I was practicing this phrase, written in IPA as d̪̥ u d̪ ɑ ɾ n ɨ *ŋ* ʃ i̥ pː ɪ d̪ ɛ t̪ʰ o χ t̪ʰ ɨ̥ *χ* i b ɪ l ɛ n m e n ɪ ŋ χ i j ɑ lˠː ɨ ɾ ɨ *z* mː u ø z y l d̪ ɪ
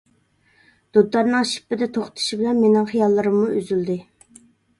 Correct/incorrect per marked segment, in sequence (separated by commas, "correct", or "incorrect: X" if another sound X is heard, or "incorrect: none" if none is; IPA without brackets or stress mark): correct, incorrect: ʃ, incorrect: none